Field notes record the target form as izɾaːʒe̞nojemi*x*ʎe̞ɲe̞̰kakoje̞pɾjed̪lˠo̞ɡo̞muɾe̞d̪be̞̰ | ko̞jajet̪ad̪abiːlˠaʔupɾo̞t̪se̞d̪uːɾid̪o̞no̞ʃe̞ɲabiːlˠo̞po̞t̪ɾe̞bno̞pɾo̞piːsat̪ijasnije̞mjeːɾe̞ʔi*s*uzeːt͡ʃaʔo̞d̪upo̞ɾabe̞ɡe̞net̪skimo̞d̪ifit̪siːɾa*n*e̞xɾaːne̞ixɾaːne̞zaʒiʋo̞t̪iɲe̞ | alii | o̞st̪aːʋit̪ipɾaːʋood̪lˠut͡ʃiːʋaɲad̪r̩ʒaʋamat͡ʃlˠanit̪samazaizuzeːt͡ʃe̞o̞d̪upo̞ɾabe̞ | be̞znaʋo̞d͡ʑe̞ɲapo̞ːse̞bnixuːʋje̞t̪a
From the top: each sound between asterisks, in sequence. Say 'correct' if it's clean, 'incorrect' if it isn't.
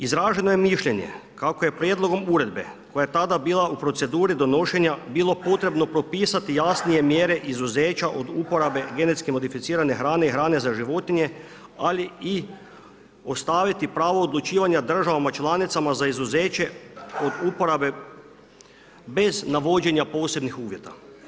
incorrect, incorrect, correct

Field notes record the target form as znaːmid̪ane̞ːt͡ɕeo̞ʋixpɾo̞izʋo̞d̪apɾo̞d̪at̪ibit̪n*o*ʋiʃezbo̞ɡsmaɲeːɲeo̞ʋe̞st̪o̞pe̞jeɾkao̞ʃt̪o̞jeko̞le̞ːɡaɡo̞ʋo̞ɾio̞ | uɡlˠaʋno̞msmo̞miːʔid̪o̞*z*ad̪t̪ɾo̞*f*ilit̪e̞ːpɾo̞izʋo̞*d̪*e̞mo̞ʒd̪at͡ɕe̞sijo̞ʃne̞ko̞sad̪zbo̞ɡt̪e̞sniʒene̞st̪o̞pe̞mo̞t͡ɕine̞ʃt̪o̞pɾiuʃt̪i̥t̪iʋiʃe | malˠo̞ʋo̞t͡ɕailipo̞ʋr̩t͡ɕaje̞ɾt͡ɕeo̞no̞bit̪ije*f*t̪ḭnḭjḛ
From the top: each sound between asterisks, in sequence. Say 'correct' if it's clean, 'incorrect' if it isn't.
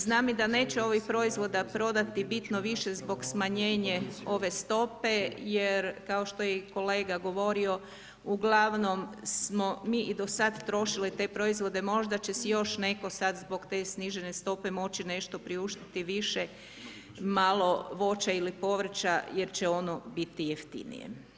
correct, incorrect, incorrect, correct, correct

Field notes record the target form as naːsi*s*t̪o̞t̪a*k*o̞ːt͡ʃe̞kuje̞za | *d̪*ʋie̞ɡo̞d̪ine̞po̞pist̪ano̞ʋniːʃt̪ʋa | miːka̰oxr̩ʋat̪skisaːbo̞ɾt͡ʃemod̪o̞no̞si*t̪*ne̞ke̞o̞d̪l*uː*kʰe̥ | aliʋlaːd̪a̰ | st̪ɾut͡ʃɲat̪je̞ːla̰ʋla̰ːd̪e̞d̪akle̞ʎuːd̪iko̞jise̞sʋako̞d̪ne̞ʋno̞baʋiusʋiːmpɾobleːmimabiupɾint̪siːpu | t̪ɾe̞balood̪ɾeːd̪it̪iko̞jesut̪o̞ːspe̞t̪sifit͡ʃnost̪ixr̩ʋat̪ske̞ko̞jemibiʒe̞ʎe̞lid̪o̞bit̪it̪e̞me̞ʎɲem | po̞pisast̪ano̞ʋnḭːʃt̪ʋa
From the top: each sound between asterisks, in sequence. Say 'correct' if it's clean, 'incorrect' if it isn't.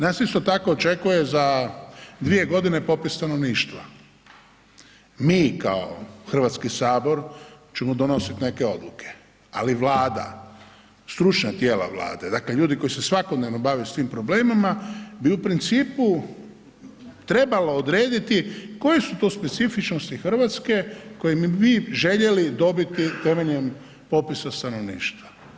correct, correct, correct, correct, incorrect

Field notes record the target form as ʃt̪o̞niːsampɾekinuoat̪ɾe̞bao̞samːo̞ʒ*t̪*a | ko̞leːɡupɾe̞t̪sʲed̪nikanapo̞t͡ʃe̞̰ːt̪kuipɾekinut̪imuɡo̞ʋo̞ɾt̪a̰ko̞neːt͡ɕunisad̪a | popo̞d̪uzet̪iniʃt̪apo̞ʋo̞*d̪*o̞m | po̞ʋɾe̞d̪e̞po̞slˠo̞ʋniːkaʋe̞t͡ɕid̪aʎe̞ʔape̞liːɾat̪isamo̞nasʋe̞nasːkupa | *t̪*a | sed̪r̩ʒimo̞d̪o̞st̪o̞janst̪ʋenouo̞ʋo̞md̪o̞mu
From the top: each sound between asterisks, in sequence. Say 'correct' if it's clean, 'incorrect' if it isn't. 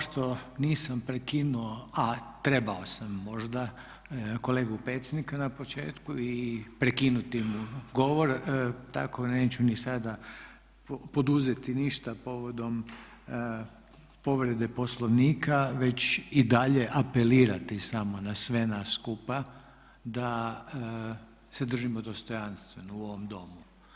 incorrect, correct, incorrect

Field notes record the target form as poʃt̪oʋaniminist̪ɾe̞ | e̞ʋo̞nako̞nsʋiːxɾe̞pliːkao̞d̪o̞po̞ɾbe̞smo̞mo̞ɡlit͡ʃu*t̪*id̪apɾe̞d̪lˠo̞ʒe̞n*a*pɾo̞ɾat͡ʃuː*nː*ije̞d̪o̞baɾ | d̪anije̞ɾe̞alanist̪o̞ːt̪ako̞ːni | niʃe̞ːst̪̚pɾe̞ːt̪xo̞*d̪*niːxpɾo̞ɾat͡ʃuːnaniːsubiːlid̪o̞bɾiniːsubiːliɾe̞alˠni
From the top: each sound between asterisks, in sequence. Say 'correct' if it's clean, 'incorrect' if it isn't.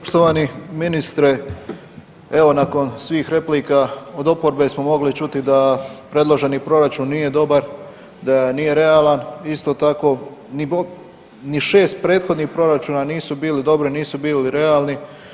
correct, incorrect, correct, correct

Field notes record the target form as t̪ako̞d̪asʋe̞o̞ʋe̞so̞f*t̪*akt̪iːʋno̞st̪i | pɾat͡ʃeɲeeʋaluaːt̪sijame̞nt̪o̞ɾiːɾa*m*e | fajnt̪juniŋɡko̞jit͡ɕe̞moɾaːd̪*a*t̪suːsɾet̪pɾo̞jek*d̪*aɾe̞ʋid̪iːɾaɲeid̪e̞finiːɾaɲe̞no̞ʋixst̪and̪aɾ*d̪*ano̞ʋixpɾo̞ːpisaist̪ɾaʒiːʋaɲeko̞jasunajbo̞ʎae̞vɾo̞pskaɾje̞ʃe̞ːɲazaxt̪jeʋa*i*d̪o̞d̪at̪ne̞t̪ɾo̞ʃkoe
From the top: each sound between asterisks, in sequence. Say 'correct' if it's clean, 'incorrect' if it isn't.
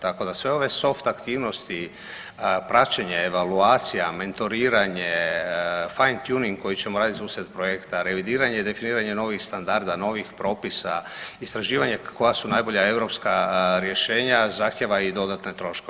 correct, incorrect, incorrect, incorrect, correct, correct

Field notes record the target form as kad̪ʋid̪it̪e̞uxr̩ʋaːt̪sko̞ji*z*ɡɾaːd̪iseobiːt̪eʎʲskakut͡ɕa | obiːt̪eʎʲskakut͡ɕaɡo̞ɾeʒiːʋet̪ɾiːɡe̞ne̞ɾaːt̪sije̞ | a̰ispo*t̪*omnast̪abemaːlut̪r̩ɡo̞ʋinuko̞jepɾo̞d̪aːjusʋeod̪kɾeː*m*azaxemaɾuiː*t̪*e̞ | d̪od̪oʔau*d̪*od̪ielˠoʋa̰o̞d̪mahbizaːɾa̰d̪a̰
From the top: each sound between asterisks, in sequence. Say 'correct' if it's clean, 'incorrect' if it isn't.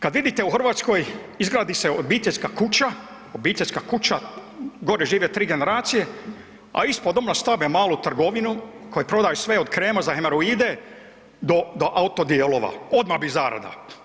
correct, incorrect, correct, incorrect, incorrect

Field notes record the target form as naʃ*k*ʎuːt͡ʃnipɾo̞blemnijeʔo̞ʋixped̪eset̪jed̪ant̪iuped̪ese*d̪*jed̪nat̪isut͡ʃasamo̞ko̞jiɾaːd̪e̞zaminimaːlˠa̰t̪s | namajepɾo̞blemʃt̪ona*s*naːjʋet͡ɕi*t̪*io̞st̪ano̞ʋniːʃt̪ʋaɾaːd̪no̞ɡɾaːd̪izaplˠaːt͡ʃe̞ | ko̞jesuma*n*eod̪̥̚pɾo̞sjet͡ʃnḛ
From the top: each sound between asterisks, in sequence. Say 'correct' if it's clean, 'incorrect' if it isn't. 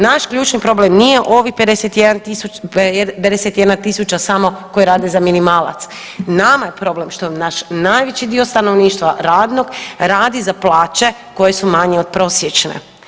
correct, incorrect, incorrect, incorrect, incorrect

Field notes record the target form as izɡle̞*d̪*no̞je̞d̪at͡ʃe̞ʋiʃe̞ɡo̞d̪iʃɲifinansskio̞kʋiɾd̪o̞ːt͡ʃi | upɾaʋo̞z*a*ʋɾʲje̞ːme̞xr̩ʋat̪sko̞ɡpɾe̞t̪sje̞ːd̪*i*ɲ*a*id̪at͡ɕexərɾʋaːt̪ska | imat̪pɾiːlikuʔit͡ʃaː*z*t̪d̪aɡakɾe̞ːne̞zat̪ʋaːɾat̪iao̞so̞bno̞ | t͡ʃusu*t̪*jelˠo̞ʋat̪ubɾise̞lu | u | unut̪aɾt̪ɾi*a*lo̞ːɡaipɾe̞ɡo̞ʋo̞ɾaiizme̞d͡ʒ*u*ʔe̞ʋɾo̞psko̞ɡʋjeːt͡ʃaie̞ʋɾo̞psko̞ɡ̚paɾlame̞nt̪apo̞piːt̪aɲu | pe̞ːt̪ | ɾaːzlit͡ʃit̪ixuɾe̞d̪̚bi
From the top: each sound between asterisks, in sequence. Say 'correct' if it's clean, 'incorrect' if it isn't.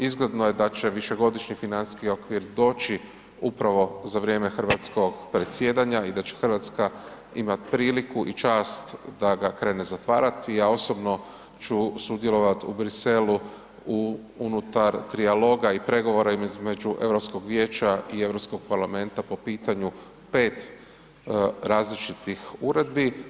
correct, correct, incorrect, correct, incorrect, incorrect, correct, correct

